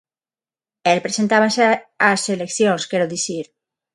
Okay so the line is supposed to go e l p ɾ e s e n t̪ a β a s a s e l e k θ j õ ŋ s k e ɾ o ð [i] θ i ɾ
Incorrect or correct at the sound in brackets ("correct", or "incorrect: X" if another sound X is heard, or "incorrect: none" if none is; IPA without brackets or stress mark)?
correct